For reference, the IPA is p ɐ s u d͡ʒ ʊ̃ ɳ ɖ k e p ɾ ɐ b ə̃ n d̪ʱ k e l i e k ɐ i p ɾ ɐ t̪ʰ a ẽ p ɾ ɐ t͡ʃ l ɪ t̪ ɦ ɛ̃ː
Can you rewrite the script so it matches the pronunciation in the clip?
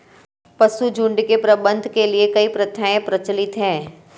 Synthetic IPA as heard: p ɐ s u d͡ʒ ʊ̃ ɳ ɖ k e p ɾ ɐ b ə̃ n d̪ʱ k e l i e k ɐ i p ɾ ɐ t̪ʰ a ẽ p ɾ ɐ t͡ʃ l ɪ t̪ ɦ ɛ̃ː